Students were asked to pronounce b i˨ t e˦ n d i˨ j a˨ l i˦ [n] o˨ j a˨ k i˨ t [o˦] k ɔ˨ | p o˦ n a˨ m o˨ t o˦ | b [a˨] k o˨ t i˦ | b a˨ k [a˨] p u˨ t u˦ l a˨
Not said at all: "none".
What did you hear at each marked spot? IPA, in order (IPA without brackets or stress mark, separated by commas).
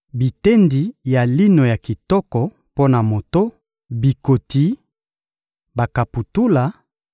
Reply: n, ɔ˦, i˨, a˨